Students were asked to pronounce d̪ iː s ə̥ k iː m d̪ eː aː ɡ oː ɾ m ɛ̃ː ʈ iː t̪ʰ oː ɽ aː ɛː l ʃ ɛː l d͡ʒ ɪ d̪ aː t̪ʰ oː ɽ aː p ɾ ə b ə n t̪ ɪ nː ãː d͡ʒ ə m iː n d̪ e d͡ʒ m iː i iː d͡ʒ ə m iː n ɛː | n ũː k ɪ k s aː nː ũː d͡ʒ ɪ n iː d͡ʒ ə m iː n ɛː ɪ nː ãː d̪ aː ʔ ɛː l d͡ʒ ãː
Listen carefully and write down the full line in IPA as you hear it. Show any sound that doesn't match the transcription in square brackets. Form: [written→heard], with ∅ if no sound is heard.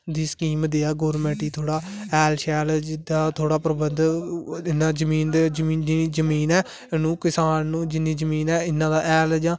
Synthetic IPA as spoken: d̪ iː s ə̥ k iː m d̪ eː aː ɡ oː ɾ m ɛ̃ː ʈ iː t̪ʰ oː ɽ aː ɛː l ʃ ɛː l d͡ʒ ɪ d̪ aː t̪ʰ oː ɽ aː p ɾ ə b ə n [t̪→d̪] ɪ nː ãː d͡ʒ ə m iː n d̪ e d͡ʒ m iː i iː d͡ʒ ə m iː n ɛː | n ũː k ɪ [k→∅] s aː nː ũː d͡ʒ ɪ n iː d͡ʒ ə m iː n ɛː ɪ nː ãː d̪ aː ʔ ɛː l d͡ʒ ãː

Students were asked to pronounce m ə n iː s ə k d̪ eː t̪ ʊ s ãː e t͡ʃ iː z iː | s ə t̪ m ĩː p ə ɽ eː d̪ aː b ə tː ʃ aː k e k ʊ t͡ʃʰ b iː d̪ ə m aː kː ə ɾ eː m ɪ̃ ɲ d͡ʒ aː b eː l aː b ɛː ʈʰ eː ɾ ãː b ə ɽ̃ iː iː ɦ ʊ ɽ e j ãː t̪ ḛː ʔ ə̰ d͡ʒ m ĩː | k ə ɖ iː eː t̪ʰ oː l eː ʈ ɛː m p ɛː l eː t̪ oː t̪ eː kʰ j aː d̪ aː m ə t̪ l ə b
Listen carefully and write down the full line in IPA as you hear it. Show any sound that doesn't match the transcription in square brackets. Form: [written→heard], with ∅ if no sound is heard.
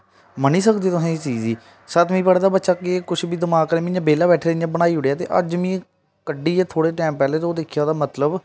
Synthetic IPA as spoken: m ə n iː s ə k d̪ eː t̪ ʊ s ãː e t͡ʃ iː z iː | s ə t̪ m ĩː p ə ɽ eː d̪ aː b ə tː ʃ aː k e k ʊ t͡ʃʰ b iː d̪ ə m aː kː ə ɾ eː m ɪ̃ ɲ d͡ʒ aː b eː l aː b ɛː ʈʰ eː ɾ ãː b ə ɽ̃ [iː→aː] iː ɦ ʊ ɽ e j [ãː→aː] t̪ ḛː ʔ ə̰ d͡ʒ m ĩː | k ə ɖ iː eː t̪ʰ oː [l→ɽ] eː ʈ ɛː m p ɛː l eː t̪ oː [t̪→d̪] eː kʰ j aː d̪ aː m ə t̪ l ə b

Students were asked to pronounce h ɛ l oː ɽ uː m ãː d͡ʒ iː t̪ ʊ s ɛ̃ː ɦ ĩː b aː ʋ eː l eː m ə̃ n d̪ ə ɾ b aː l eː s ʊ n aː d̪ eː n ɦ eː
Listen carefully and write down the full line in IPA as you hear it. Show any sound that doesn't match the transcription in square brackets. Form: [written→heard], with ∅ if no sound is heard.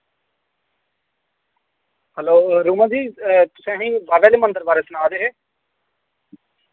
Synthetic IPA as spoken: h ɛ l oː [ɽ→ɾ] uː m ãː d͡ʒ iː t̪ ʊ s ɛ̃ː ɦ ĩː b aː ʋ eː l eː m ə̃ n d̪ ə ɾ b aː [l→ɾ] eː s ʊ n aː d̪ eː [n→∅] ɦ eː

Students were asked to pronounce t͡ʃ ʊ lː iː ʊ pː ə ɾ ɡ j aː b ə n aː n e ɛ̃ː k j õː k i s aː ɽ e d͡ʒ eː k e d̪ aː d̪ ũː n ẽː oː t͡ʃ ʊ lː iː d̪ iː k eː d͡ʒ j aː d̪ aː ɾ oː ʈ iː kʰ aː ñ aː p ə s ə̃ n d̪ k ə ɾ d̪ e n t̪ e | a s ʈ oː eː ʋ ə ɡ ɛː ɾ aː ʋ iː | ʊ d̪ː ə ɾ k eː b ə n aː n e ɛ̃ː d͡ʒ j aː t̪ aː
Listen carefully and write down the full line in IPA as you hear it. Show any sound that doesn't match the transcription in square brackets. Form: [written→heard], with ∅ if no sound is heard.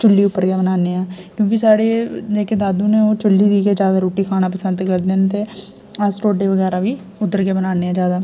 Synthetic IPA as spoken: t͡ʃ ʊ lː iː ʊ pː ə ɾ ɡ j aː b ə n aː n e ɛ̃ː k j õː k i s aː ɽ e d͡ʒ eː k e d̪ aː d̪ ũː n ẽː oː t͡ʃ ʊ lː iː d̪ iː k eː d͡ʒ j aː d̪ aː ɾ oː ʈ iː kʰ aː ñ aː p ə s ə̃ n d̪ k ə ɾ d̪ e n t̪ e | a s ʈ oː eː ʋ ə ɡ ɛː ɾ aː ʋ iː | ʊ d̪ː ə ɾ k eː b ə n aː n e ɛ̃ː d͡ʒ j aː [t̪→d̪] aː

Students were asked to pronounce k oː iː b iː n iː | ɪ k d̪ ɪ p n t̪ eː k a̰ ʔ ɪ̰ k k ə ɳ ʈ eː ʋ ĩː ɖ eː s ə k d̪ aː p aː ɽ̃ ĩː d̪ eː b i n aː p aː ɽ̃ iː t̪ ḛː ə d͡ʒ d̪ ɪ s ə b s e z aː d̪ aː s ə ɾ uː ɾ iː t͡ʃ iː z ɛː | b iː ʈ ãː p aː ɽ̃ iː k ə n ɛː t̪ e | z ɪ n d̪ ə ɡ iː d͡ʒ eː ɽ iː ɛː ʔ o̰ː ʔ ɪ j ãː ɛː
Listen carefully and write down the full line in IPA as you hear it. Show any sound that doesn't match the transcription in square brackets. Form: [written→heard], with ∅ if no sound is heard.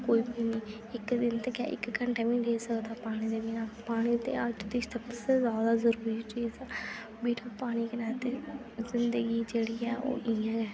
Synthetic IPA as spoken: k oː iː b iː n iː | ɪ k d̪ ɪ [p→∅] n t̪ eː k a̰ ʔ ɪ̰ k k ə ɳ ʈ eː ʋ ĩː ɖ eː s ə k d̪ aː p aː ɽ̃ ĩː d̪ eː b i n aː p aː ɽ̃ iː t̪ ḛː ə d͡ʒ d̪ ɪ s ə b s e z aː d̪ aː [s→z] ə ɾ uː ɾ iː t͡ʃ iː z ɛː | b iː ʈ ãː p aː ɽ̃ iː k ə n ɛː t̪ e | z ɪ n d̪ ə ɡ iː d͡ʒ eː ɽ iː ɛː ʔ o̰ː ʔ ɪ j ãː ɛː

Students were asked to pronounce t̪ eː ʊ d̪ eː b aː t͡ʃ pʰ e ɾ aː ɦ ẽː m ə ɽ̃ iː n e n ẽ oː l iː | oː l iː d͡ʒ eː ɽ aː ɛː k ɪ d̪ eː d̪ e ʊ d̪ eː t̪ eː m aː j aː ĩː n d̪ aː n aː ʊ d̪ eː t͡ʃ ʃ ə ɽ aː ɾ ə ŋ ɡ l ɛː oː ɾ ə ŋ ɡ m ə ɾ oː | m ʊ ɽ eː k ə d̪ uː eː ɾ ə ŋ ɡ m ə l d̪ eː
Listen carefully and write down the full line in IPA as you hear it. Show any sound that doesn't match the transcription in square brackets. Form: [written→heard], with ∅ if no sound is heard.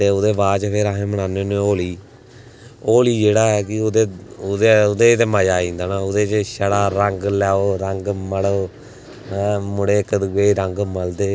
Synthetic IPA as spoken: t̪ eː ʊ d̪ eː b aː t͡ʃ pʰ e ɾ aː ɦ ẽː m ə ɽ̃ [iː→aː] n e n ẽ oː l iː | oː l iː d͡ʒ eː ɽ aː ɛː k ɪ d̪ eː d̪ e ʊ d̪ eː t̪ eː m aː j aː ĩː n d̪ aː n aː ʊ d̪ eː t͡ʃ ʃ ə ɽ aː ɾ ə ŋ ɡ l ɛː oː ɾ ə ŋ ɡ m ə [ɾ→ɽ] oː | m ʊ ɽ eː k ə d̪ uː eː ɾ ə ŋ ɡ m ə l d̪ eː

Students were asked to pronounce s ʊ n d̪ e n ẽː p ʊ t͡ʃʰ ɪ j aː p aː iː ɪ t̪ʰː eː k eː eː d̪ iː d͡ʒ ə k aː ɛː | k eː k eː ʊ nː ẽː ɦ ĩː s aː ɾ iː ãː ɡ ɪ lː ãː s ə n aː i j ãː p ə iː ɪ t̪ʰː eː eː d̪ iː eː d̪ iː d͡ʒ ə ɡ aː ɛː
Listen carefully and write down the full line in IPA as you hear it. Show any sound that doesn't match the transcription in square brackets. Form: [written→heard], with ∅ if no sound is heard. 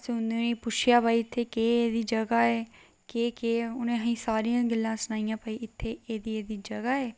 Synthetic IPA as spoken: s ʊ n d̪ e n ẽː p ʊ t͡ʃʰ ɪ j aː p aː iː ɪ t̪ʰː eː k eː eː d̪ iː d͡ʒ ə [k→ɡ] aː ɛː | k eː k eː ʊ [nː→n] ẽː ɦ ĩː s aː ɾ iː ãː ɡ ɪ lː ãː s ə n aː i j ãː p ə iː ɪ t̪ʰː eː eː d̪ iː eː d̪ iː d͡ʒ ə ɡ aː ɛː

